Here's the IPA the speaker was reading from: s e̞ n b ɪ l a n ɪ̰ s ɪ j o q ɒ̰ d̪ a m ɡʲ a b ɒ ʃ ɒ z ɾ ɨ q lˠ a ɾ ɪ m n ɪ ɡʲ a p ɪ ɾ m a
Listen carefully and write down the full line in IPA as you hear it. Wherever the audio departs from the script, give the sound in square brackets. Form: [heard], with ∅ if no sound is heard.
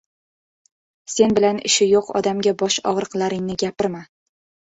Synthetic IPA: s e̞ n b ɪ l a n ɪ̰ [ʃ] ɪ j o q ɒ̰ d̪ a m ɡʲ a b ɒ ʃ ɒ [ʁ] ɾ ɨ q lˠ a ɾ ɪ [ŋ] n ɪ ɡʲ a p ɪ ɾ m a